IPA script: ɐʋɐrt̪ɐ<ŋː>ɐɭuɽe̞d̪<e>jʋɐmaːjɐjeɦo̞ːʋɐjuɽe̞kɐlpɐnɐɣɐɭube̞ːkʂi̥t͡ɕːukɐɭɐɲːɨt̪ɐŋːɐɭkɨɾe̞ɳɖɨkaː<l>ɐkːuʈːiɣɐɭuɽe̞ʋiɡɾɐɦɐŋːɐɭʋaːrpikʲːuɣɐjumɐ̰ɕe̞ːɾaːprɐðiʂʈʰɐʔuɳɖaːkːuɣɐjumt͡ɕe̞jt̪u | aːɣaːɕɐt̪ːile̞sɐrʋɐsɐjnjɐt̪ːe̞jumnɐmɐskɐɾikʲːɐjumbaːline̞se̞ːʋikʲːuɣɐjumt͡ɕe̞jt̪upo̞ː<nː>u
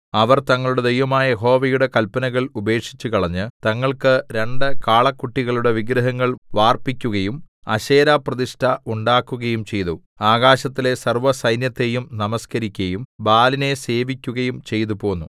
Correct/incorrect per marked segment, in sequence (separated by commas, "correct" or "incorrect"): correct, correct, incorrect, correct